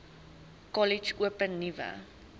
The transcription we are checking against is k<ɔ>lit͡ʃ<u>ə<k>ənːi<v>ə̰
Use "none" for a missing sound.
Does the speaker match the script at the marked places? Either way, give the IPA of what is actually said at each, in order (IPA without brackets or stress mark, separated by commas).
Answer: ɔ, u, p, v